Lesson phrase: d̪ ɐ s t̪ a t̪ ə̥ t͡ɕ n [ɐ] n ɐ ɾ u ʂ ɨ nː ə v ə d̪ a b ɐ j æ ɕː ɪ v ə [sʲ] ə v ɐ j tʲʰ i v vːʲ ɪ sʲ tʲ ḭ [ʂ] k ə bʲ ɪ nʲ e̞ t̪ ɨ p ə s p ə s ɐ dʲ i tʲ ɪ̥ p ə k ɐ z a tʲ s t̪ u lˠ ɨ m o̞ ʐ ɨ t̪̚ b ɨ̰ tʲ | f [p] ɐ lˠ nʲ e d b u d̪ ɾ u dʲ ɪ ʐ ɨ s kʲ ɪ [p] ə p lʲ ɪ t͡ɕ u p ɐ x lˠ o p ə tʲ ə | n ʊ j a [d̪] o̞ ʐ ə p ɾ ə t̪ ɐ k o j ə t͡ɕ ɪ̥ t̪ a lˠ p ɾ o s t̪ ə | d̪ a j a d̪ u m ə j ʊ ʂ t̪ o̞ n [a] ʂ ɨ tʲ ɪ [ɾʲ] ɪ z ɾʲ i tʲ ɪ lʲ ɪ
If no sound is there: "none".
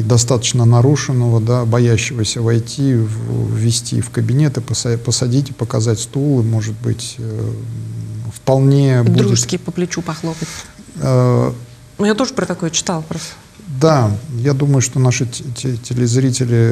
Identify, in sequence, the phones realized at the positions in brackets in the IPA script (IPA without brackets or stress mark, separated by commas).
ə, sʲ, f, p, p, t̪, a, lʲ